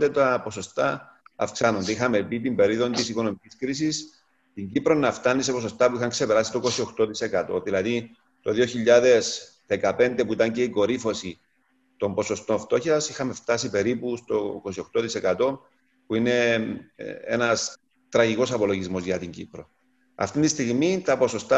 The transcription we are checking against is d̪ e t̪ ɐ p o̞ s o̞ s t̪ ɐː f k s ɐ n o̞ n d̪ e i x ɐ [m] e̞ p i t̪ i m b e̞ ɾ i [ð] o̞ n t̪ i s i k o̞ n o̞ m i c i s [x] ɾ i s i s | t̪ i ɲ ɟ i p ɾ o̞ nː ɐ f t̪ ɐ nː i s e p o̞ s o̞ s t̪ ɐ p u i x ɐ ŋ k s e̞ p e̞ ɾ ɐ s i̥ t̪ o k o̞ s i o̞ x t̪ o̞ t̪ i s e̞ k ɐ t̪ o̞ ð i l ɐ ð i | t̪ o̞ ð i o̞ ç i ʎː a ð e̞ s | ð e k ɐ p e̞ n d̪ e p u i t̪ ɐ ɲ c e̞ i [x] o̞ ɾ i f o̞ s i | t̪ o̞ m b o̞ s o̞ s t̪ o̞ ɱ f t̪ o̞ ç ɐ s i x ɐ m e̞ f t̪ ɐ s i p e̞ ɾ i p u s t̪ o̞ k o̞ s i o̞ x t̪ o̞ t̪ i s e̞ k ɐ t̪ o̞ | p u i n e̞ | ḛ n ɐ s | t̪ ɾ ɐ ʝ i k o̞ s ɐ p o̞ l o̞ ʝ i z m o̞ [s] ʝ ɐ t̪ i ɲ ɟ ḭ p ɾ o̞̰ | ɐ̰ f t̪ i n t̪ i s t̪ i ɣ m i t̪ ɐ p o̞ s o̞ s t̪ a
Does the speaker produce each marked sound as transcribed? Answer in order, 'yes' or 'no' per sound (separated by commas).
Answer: yes, yes, no, no, no